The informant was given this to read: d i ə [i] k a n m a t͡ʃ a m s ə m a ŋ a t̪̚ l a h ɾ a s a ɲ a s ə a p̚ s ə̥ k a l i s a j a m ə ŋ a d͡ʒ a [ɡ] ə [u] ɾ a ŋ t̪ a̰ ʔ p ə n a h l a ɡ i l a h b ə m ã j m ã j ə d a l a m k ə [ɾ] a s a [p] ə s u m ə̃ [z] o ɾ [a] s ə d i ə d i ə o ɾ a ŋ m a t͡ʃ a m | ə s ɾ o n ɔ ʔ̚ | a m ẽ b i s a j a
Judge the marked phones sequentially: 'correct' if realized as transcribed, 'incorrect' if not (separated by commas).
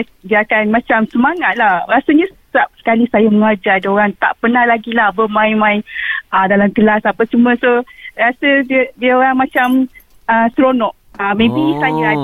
incorrect, incorrect, incorrect, incorrect, correct, incorrect, correct